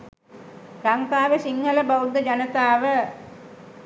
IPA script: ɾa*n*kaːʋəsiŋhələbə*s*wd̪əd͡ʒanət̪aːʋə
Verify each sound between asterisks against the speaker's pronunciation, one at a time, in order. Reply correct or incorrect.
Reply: incorrect, incorrect

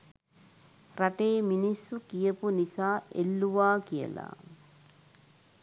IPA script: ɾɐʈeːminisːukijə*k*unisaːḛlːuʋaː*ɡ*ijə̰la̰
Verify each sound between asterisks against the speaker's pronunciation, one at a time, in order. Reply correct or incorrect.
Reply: incorrect, incorrect

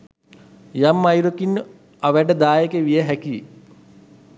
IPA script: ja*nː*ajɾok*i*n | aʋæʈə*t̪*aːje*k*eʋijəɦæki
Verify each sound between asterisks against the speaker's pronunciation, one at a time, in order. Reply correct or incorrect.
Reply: incorrect, correct, incorrect, correct

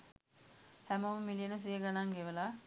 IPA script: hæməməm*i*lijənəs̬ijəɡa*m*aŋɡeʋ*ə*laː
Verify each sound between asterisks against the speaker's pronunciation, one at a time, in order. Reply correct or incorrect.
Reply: correct, incorrect, correct

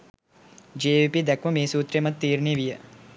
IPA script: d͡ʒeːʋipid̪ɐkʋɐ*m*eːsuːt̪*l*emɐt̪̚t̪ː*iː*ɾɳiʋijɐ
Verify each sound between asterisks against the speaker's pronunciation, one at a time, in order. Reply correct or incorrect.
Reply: correct, incorrect, correct

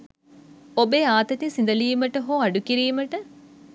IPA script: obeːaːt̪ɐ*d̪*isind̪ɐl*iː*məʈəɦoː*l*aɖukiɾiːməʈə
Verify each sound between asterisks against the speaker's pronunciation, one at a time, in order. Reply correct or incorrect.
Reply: incorrect, correct, incorrect

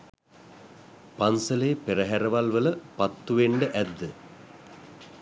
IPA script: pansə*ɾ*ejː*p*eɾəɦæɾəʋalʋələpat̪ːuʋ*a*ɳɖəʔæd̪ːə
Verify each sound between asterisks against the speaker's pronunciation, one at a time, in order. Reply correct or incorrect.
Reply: incorrect, correct, incorrect

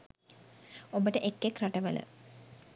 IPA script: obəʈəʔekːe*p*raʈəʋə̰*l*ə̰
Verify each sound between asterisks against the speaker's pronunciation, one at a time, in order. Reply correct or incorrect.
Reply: incorrect, correct

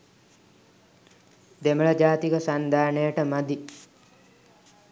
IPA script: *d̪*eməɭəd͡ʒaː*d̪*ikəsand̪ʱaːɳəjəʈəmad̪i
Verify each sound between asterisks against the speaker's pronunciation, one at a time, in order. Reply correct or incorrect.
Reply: correct, incorrect

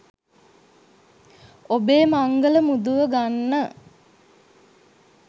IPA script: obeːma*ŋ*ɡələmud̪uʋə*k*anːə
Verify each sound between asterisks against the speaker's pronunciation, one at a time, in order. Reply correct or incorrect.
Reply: correct, incorrect

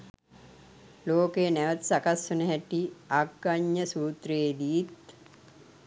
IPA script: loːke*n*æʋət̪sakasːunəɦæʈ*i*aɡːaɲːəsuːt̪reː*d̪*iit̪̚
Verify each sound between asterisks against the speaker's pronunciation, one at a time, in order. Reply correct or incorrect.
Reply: correct, correct, correct

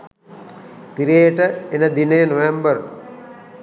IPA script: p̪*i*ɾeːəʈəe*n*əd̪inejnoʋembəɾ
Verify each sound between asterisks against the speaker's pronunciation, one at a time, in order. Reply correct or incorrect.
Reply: correct, correct

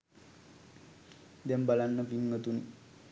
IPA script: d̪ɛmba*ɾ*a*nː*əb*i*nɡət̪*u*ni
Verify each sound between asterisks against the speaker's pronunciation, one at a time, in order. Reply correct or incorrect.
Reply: incorrect, correct, correct, correct

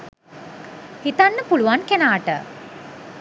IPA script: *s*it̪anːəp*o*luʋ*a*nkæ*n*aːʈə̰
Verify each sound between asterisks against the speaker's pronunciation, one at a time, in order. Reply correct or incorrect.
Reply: incorrect, incorrect, correct, correct

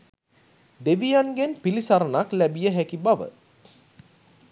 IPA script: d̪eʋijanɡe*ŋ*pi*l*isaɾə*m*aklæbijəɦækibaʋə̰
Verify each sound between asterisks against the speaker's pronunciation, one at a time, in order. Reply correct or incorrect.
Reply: incorrect, correct, incorrect

